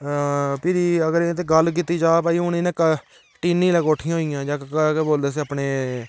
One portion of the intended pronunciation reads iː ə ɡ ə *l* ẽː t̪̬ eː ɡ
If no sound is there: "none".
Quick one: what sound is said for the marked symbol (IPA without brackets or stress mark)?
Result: ɾ